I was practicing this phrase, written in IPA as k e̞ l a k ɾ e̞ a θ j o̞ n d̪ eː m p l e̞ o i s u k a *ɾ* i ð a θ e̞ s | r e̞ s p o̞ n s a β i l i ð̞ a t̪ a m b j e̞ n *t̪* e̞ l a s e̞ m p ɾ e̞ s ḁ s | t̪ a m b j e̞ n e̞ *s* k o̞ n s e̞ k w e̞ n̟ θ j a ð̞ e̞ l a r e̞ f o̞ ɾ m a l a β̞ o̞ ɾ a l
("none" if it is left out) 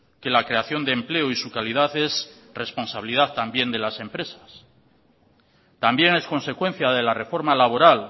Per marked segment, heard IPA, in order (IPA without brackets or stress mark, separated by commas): l, d̪, s